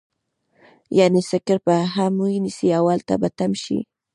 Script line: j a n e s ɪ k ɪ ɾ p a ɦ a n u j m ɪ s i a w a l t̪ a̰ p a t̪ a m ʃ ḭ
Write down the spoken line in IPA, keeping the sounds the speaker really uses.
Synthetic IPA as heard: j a n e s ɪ k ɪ ɾ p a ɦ a m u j n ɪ s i a w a l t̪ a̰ b a t̪ a m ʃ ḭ